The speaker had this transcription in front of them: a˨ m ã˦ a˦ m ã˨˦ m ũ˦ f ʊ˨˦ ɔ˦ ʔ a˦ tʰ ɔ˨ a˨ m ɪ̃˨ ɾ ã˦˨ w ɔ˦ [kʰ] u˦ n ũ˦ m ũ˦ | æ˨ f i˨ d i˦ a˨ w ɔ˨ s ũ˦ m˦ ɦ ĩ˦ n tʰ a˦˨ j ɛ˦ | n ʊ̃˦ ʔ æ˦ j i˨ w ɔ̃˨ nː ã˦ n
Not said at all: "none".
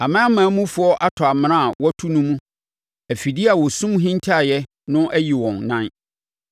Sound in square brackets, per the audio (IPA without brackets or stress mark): tʰ